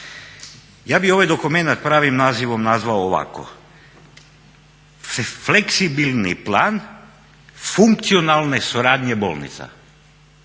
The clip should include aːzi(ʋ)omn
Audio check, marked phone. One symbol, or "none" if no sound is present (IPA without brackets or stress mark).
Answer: ʋ